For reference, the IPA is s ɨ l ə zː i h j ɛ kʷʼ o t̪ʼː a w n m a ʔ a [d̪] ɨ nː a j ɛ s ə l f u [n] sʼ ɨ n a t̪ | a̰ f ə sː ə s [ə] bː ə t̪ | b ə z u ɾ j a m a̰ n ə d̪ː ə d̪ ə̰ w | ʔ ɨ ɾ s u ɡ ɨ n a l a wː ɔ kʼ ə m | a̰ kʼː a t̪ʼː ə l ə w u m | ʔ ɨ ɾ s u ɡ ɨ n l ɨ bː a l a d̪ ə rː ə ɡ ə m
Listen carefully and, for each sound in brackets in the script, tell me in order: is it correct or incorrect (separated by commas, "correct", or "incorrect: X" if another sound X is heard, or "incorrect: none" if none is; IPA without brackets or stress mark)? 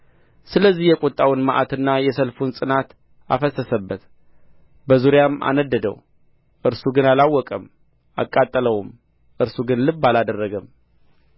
incorrect: t̪, correct, correct